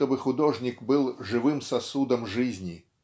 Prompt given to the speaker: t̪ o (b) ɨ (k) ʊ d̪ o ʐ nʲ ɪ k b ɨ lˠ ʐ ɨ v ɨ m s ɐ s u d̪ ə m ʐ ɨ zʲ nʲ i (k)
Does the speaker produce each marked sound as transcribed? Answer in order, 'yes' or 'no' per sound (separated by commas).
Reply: yes, no, no